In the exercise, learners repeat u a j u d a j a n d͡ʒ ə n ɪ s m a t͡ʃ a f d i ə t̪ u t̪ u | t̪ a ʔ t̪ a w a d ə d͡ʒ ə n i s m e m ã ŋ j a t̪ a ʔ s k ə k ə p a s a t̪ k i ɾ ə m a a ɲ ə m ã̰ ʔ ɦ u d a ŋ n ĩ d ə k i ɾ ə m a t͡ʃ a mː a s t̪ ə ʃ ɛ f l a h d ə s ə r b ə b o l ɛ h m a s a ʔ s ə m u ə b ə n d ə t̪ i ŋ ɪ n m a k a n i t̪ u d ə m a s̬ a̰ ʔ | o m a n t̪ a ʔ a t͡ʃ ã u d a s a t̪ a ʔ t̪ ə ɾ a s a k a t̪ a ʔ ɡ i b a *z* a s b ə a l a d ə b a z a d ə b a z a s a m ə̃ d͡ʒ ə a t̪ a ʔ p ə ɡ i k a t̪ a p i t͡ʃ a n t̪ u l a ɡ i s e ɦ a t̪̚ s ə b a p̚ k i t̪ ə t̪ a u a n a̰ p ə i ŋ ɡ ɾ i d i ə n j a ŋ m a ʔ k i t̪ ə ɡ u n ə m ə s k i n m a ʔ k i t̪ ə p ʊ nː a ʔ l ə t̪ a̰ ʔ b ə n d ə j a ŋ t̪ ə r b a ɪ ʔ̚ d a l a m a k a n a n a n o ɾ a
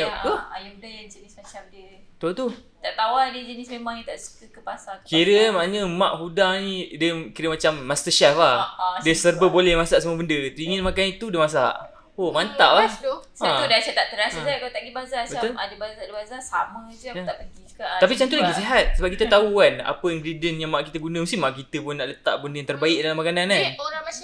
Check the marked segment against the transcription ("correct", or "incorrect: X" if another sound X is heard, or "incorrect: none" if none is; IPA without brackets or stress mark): correct